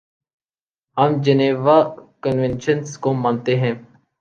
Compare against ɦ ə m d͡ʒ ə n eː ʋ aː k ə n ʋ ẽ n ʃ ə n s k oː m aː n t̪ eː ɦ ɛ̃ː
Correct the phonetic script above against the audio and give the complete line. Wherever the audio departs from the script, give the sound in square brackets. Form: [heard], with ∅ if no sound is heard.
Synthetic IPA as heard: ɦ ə m d͡ʒ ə n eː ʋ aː k ə n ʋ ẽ n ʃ ə n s k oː m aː n t̪ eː ɦ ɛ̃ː